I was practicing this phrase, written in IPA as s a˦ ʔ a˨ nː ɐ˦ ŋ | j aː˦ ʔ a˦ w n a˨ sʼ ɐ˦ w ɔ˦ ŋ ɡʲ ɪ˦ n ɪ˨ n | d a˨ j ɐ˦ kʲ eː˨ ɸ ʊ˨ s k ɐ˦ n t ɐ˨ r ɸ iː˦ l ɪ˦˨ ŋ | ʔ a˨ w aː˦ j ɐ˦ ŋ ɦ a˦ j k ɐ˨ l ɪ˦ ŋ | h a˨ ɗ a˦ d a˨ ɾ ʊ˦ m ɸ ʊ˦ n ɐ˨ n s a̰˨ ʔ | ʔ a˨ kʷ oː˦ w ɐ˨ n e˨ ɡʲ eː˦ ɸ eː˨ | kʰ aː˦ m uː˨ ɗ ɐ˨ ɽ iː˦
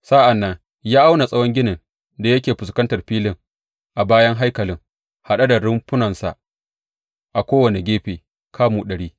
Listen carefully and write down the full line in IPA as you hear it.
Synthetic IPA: s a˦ ʔ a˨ nː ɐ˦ ŋ | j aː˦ ʔ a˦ w n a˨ sʼ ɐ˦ w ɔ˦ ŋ ɡʲ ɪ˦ n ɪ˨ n | d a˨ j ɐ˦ kʲ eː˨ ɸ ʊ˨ s k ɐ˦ n t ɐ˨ r ɸ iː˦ l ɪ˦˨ ŋ | ʔ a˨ b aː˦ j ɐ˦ ŋ ɦ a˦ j k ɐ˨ l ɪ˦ ŋ | h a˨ ɗ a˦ d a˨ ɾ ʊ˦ m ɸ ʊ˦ n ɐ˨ n s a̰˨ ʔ | ʔ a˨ kʷ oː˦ w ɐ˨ n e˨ ɡʲ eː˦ ɸ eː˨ | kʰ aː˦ m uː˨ ɗ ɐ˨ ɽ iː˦